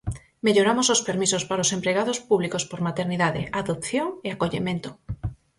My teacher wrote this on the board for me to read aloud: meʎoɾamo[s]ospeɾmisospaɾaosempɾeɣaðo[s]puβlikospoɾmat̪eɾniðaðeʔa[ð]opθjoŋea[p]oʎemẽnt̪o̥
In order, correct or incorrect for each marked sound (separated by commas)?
correct, correct, correct, incorrect